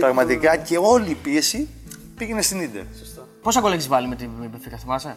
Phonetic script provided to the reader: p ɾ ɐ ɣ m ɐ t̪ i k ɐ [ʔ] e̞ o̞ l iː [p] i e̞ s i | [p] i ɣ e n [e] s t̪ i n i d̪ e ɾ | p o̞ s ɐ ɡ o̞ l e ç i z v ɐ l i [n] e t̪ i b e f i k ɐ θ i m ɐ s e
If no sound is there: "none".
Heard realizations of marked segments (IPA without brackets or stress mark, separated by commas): c, p, p, e, m